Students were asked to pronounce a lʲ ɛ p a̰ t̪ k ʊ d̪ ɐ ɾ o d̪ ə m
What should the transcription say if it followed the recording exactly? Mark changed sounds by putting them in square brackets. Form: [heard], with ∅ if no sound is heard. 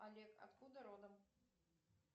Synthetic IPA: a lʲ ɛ [k] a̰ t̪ k [u] d̪ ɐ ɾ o d̪ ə m